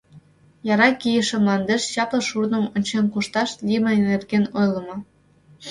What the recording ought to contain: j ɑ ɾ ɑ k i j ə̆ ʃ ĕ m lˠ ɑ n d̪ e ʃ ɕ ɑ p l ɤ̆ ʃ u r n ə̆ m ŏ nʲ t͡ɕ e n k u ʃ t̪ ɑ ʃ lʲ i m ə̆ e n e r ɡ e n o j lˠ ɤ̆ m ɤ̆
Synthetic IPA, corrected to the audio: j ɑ ɾ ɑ k i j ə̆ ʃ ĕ m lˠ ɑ n d̪ e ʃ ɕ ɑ p l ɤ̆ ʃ u r n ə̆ m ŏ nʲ t͡ɕ e n k u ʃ t̪ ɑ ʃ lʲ i m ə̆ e n e r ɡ e n o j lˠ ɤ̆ m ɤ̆